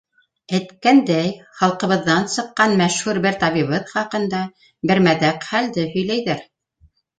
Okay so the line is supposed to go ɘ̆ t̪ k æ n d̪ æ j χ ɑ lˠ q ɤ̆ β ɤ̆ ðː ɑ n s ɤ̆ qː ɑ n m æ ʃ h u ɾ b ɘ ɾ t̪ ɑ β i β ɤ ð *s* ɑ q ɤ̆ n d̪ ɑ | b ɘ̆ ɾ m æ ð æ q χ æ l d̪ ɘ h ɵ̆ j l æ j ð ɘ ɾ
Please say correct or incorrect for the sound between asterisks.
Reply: incorrect